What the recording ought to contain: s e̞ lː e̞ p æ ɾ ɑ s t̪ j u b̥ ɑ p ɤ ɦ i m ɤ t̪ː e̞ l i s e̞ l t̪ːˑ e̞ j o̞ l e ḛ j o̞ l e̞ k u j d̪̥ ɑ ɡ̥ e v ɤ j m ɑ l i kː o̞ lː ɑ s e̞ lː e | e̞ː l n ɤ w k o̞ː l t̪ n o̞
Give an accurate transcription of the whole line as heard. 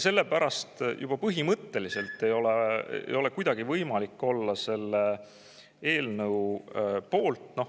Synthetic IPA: s e̞ lː e̞ p æ ɾ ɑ s t̪ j u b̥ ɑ p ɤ ɦ i m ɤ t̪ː e̞ l i s e̞ l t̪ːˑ e̞ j o̞ l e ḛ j o̞ l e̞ k u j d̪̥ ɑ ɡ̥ i v ɤ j m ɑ l i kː o̞ lː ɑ s e̞ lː e | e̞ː l n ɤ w p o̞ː l t̪ n o̞